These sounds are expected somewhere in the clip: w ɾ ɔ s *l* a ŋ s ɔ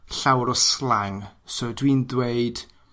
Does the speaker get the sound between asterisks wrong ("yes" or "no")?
no